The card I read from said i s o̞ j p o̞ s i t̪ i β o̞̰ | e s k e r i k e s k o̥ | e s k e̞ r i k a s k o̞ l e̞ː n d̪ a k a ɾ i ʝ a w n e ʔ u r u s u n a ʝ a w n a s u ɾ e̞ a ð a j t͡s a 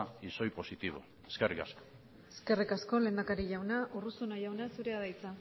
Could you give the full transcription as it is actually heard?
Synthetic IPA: i s o̞ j p o̞ s i t̪ i β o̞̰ | e s k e r i k a s k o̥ | e s k e̞ r i k a s k o̞ l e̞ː n d̪ a k a ɾ i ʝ a w n a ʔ u r u s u n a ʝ a w n a s u ɾ e̞ a ð a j t͡s a